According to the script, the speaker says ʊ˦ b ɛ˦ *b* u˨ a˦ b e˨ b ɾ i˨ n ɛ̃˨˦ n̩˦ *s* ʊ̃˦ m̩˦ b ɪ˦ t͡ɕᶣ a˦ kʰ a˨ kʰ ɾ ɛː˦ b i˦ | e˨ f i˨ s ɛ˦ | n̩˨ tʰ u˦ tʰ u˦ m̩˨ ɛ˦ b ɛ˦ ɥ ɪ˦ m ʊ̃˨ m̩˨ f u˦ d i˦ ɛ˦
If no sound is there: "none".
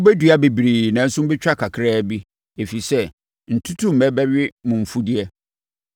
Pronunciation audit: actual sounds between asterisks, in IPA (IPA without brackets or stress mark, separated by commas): d, s